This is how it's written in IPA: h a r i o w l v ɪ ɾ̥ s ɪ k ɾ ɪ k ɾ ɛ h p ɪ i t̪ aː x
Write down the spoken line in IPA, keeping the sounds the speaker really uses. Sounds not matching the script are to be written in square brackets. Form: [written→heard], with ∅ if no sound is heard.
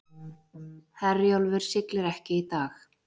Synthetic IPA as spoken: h [a→ɛ] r [i→j] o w l v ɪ ɾ̥ s ɪ k [ɾ→l] ɪ [k→∅] ɾ ɛ h [p→c] ɪ i t̪ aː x